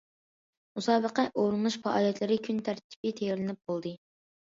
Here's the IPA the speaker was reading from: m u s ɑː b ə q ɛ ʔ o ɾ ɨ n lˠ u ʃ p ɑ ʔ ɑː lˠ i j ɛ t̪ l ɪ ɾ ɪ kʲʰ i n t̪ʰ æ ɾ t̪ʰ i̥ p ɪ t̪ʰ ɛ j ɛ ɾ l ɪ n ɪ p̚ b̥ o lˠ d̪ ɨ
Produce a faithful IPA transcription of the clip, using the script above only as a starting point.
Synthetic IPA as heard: m u s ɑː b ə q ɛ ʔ o ɾ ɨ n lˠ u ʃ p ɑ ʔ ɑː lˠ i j ɛ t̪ l ɪ ɾ ɪ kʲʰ y n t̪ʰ æ ɾ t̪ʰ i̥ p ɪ t̪ʰ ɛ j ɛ ɾ l ɪ n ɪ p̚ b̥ o lˠ d̪ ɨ